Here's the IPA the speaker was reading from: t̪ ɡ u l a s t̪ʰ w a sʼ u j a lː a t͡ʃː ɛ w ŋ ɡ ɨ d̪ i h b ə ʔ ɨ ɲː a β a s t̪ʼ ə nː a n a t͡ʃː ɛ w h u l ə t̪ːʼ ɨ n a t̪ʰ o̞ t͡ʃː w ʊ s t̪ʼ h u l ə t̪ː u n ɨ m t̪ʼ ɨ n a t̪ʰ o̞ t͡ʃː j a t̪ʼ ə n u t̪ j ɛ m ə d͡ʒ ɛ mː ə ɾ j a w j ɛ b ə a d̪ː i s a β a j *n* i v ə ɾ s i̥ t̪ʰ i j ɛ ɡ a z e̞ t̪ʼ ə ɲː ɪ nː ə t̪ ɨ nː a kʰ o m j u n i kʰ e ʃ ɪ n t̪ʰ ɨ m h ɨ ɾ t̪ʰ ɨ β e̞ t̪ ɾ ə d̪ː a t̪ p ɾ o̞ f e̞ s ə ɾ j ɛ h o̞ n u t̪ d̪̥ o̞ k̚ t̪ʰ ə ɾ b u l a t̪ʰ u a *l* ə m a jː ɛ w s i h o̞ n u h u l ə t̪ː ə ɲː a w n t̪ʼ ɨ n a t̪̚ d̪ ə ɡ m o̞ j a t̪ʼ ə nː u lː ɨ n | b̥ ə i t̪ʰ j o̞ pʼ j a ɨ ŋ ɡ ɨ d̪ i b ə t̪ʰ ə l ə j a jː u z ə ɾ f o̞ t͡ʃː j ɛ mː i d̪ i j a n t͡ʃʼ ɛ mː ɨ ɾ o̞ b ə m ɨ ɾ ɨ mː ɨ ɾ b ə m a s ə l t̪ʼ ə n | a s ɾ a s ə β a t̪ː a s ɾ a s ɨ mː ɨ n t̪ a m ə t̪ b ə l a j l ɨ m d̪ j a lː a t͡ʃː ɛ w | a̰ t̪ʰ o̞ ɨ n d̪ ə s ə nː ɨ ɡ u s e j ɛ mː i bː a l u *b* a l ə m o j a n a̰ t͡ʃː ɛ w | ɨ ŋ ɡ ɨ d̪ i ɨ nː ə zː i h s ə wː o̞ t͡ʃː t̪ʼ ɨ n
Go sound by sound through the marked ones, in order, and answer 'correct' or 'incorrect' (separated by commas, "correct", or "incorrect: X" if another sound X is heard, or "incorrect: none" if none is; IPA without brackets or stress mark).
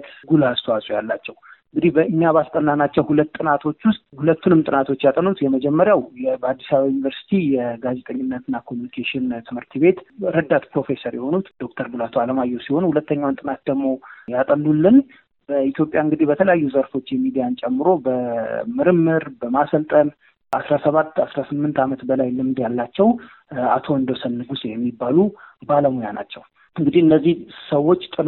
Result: correct, correct, correct